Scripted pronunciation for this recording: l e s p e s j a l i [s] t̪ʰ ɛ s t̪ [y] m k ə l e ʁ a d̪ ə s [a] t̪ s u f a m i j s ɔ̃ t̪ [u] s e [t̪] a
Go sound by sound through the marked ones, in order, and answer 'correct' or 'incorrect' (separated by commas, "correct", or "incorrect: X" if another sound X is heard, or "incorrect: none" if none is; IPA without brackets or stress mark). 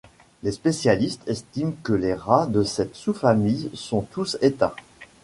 correct, incorrect: i, incorrect: ɛ, correct, correct